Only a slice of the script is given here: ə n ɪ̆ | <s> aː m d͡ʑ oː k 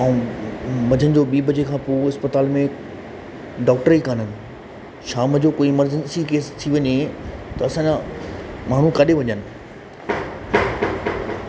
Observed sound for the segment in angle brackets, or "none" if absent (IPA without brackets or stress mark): ʃ